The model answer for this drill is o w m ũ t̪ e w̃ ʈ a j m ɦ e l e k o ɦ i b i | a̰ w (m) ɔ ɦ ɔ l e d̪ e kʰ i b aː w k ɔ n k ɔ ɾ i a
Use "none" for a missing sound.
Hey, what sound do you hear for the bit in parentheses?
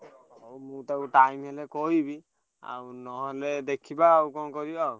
n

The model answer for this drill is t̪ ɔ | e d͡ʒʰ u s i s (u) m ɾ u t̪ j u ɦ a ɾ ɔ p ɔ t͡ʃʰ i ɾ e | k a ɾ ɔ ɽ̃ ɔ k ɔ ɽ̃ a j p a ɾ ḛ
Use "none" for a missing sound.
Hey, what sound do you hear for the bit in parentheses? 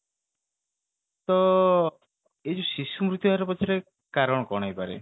u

